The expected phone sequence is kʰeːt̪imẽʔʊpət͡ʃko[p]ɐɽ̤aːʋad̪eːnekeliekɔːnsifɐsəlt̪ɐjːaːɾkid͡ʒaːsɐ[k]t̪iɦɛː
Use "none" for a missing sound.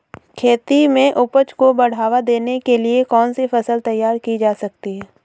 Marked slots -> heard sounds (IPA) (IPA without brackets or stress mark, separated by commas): b, k